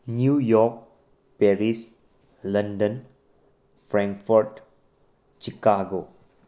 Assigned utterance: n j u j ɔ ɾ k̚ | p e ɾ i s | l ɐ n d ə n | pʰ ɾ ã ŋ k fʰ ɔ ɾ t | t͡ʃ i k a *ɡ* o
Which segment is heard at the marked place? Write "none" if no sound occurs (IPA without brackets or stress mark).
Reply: ɡ